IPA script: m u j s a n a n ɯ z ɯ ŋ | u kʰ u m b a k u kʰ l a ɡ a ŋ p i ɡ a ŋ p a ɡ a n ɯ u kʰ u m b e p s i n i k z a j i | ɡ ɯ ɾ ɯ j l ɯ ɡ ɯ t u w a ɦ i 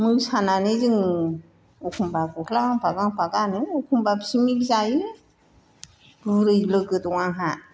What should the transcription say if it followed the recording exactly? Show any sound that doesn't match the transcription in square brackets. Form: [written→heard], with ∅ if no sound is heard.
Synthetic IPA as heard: m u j s a n a n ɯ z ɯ ŋ | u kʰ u m b a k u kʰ l a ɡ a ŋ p [i→a] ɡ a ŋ p a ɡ a n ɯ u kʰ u m b [e→a] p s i [n→m] i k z a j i | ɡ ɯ ɾ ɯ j l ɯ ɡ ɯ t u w a ɦ [i→a]